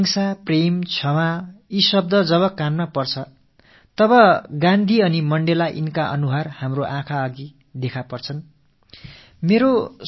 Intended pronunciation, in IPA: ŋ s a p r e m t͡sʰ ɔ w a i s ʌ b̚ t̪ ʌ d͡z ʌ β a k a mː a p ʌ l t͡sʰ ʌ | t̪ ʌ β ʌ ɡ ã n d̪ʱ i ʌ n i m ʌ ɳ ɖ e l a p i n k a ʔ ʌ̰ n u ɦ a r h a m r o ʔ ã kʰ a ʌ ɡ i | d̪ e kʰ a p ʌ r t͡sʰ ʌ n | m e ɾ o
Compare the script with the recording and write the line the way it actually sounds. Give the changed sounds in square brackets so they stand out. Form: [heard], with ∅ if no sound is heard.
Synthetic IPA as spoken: ŋ s a p r e m t͡sʰ [ʌ] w a i s ʌ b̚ [d̪] ʌ d͡z ʌ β [ʌ] k a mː a p ʌ [r] t͡sʰ ʌ | t̪ ʌ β ʌ ɡ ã n d̪ʱ i ʌ n i m ʌ ɳ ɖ e l a [ʔ] i n k a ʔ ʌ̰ n u ɦ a r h a m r o ʔ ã kʰ a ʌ ɡ i | d̪ e kʰ a p ʌ r t͡sʰ ʌ n | m e ɾ o